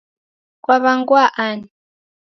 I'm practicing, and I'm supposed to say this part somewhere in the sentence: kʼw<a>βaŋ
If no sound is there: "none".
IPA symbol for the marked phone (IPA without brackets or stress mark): a